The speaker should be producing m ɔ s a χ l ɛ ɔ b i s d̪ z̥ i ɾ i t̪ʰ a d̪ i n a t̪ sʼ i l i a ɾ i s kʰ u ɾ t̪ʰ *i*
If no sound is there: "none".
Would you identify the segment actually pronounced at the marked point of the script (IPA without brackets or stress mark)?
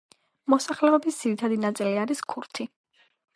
i